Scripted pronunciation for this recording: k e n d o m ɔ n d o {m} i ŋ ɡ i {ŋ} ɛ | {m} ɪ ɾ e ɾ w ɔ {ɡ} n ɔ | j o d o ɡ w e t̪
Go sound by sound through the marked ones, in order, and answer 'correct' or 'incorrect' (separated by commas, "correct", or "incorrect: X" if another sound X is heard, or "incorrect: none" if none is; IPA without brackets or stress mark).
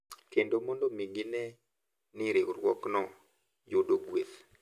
correct, incorrect: n, incorrect: n, incorrect: k